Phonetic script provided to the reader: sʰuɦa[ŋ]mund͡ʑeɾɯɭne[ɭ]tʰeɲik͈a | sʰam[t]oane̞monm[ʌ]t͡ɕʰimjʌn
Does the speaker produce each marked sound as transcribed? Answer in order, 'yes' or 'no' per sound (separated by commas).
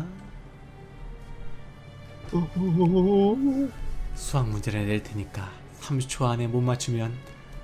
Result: yes, yes, no, no